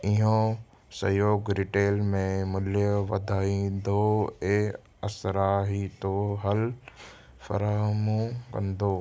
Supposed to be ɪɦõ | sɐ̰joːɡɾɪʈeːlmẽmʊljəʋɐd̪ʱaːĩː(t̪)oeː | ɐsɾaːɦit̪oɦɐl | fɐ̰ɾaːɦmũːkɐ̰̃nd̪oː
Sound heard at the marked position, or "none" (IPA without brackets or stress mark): d̪